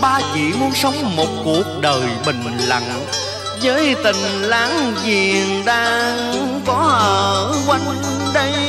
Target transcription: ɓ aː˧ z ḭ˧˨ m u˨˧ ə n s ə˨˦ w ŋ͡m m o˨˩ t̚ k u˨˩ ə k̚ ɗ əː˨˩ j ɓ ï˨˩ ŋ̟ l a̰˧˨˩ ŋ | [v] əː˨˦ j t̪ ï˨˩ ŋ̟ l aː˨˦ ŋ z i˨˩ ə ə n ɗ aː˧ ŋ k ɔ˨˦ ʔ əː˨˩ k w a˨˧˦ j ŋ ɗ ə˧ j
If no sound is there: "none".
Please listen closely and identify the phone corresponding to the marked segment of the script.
z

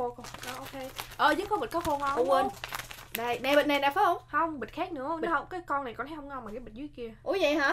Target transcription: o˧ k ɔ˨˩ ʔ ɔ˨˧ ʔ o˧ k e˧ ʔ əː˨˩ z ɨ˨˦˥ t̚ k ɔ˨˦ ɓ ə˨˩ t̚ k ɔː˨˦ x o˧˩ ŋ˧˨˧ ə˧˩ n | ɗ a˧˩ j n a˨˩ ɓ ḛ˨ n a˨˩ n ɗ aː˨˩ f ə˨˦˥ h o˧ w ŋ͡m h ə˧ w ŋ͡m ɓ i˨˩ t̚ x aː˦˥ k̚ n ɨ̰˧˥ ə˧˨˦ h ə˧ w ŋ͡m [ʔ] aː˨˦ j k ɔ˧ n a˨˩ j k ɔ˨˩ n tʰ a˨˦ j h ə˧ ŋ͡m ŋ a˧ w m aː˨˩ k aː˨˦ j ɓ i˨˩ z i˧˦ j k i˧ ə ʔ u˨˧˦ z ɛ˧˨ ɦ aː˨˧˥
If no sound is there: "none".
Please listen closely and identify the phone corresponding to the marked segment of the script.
k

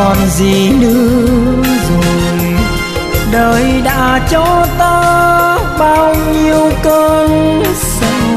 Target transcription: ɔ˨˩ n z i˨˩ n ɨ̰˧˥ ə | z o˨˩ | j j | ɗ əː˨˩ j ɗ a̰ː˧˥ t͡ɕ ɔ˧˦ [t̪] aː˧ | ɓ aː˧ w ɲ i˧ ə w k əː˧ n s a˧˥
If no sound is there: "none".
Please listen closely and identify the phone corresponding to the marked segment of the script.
t̪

